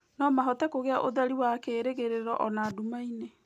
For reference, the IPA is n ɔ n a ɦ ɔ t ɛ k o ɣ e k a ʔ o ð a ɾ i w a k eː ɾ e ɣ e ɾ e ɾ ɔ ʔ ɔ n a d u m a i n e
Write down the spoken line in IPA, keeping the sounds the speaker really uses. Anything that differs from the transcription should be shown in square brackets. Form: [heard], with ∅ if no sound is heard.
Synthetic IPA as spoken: n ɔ [m] a ɦ ɔ t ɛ k o ɣ e [∅] a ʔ o ð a ɾ i w a k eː ɾ e ɣ e ɾ e ɾ ɔ ʔ ɔ n a d u m a i n e